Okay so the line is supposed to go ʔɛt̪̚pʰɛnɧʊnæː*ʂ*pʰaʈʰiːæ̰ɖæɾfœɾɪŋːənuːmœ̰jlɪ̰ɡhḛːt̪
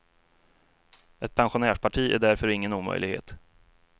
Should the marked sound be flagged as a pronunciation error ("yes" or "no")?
no